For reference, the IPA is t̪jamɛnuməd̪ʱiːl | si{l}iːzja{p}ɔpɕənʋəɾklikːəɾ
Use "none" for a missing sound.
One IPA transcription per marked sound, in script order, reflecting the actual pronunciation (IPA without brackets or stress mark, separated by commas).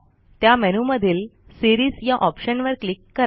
ɾ, ʔ